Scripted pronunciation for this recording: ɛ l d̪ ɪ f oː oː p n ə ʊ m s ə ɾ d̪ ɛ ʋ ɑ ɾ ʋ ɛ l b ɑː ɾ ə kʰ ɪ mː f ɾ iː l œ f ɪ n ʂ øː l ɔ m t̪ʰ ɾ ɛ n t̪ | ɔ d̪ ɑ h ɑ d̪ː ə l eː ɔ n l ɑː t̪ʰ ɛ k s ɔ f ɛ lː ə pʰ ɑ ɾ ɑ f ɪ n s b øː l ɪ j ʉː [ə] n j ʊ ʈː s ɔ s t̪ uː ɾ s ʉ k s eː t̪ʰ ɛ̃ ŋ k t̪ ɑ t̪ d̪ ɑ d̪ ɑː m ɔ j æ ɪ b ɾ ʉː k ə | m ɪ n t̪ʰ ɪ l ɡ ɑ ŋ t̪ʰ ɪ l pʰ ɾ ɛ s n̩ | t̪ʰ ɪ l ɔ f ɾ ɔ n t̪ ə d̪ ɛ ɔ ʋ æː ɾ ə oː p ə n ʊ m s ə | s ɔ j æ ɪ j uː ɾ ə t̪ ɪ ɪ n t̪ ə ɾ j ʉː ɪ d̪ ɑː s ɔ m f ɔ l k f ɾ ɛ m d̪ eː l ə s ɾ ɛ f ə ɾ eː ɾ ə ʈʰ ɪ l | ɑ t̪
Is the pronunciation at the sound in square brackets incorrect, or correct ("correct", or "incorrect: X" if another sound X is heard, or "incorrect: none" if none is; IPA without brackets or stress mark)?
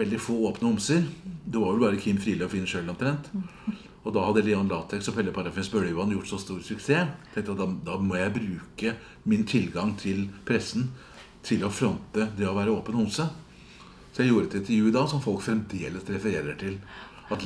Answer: incorrect: ɑ